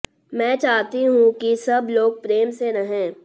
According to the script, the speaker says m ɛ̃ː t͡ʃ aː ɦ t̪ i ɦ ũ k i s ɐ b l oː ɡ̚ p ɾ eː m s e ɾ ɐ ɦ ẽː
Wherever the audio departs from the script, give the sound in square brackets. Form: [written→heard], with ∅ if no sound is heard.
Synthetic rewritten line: m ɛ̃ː t͡ʃ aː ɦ t̪ i ɦ ũ k i s ɐ b l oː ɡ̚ p ɾ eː m s e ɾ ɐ ɦ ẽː

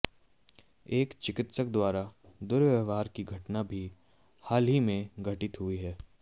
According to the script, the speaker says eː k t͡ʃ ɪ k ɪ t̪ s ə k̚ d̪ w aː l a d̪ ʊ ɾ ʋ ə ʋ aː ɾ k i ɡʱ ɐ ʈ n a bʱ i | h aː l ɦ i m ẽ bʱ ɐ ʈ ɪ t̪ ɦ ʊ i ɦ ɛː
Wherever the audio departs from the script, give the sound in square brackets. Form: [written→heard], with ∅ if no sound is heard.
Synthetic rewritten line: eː k t͡ʃ ɪ k ɪ t̪ s ə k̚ d̪ w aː [l→ɾ] a d̪ ʊ ɾ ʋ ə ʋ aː ɾ k i ɡʱ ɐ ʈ n a bʱ i | h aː l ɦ i m ẽ [bʱ→ɡʱ] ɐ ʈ ɪ t̪ ɦ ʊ i ɦ ɛː

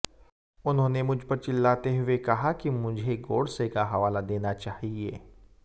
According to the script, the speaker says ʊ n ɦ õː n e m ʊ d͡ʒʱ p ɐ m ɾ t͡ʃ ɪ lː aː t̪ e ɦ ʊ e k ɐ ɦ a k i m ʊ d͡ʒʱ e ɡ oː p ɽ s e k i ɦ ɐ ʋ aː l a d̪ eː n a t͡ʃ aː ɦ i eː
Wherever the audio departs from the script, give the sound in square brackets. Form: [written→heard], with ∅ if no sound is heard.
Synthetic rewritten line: ʊ n ɦ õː n e m ʊ d͡ʒʱ p ɐ [m→∅] ɾ t͡ʃ ɪ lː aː t̪ e ɦ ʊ e k ɐ ɦ a k i m ʊ d͡ʒʱ e ɡ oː [p→∅] ɽ s e k [i→a] ɦ ɐ ʋ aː l a d̪ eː n a t͡ʃ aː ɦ i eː

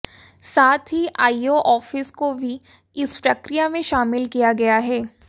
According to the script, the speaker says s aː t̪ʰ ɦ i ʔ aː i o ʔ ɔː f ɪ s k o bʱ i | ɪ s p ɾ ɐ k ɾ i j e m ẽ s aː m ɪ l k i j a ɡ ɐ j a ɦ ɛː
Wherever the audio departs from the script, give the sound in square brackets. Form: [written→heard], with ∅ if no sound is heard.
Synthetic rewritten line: s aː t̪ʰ ɦ i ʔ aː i o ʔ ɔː f ɪ s k o bʱ i | ɪ s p ɾ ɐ k ɾ i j [e→a] m ẽ [s→ʃ] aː m ɪ l k i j a ɡ ɐ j a ɦ ɛː

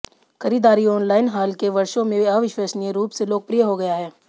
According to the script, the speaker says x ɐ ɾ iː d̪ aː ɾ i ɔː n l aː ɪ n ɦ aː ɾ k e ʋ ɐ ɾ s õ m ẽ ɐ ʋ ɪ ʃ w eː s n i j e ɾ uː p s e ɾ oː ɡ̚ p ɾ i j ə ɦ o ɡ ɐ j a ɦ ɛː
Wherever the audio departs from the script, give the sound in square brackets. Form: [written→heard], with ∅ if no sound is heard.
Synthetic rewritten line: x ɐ ɾ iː d̪ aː ɾ i ɔː n l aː ɪ n ɦ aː [ɾ→l] k e ʋ ɐ ɾ [s→ʃ] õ m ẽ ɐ ʋ ɪ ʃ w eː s n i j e ɾ uː p s e [ɾ→l] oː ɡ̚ p ɾ i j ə ɦ o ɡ ɐ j a ɦ ɛː

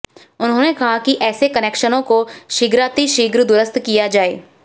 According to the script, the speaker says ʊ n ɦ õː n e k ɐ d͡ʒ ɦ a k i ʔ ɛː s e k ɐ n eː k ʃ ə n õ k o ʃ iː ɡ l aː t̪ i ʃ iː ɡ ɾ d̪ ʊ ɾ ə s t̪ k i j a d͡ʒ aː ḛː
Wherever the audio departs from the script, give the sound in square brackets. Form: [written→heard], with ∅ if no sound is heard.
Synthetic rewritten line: ʊ n ɦ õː n e k ɐ [d͡ʒ→∅] ɦ a k i ʔ ɛː s e k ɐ n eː k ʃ ə n õ k o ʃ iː ɡ [l→ɾ] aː t̪ i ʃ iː ɡ ɾ d̪ ʊ ɾ ə s t̪ k i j a d͡ʒ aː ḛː

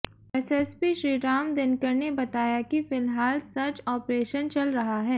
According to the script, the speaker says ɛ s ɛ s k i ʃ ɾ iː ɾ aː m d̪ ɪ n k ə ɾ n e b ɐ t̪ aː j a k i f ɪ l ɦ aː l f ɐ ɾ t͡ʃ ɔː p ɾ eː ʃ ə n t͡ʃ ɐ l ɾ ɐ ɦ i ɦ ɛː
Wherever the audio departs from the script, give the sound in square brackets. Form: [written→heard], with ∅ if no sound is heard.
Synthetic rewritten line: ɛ s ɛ s [k→p] i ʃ ɾ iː ɾ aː m d̪ ɪ n k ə ɾ n e b ɐ t̪ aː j a k i f ɪ l ɦ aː l [f→s] ɐ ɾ t͡ʃ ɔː p ɾ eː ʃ ə n t͡ʃ ɐ l ɾ ɐ ɦ [i→a] ɦ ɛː

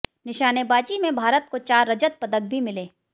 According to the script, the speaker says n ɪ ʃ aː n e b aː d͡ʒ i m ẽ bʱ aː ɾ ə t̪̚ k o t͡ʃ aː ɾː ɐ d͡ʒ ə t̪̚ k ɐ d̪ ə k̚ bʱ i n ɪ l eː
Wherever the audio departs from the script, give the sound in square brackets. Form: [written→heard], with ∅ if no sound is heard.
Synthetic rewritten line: n ɪ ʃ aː n e b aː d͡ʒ i m ẽ bʱ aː ɾ ə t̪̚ k o t͡ʃ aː ɾː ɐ d͡ʒ ə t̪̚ [k→p] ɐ d̪ ə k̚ bʱ i [n→m] ɪ l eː

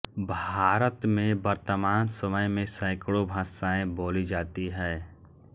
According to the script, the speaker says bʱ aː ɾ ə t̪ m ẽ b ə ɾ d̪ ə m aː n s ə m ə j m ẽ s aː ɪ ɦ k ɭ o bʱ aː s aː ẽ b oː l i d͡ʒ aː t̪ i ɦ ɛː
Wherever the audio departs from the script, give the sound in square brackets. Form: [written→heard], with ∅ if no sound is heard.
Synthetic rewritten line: bʱ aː ɾ ə t̪ m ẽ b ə ɾ [d̪→t̪] ə m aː n s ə m ə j m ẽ s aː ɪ [ɦ→∅] k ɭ o bʱ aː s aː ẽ b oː l i d͡ʒ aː t̪ i ɦ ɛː

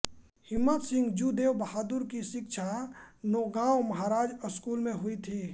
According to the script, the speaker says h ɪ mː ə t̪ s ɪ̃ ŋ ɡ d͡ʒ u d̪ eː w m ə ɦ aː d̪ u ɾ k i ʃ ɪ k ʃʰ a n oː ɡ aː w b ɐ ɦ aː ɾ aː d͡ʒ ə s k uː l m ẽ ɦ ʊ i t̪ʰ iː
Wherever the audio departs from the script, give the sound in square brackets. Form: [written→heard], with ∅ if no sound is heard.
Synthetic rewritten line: h ɪ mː ə t̪ s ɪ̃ ŋ ɡ d͡ʒ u d̪ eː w [m→b] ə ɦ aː d̪ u ɾ k i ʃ ɪ k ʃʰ a n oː ɡ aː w [b→m] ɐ ɦ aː ɾ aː d͡ʒ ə s k uː l m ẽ ɦ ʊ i t̪ʰ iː

